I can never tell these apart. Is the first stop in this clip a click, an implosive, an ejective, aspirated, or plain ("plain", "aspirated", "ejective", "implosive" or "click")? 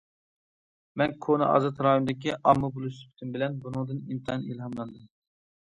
aspirated